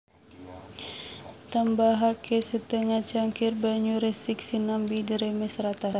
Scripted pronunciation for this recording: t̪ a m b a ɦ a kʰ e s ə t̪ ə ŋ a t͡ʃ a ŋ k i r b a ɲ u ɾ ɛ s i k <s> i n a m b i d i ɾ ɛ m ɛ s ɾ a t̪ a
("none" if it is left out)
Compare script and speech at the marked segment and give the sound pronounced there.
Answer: s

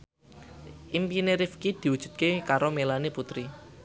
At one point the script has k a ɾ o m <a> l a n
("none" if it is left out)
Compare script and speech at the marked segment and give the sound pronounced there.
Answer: e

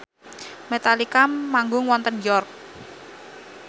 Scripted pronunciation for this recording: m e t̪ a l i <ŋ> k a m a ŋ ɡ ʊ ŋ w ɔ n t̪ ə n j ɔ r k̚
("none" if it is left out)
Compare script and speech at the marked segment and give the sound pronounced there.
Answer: none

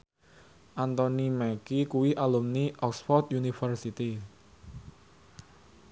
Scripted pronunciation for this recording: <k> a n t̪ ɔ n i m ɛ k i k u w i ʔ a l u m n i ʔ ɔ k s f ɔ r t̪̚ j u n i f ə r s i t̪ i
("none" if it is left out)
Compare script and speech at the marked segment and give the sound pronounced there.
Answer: ʔ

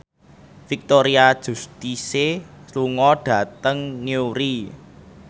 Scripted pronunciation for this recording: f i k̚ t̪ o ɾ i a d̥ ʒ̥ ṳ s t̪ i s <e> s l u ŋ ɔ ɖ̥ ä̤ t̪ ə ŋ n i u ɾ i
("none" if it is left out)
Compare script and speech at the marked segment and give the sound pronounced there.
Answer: e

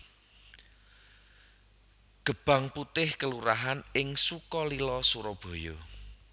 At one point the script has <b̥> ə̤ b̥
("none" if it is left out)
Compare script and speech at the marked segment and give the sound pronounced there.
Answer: ɡ̥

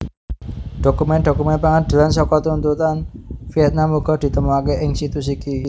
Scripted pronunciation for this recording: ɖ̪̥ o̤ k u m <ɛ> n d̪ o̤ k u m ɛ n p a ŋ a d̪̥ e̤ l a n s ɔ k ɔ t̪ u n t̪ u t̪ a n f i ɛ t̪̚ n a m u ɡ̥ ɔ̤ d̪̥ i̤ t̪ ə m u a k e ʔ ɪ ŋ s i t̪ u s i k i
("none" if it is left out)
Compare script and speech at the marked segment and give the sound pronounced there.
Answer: ɛ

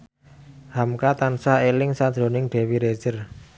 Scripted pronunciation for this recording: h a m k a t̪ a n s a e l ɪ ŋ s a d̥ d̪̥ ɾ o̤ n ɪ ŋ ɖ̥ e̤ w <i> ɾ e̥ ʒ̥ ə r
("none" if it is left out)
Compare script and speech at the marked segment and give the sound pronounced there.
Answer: i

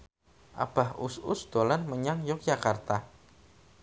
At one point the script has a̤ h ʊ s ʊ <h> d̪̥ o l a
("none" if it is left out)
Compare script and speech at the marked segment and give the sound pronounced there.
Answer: s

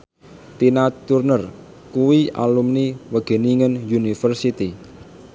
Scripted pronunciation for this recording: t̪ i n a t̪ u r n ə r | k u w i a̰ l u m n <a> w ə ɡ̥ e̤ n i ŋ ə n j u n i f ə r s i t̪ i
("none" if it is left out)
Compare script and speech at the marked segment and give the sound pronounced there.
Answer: i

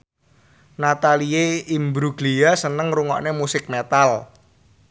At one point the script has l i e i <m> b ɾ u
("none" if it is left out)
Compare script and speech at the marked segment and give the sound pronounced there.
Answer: m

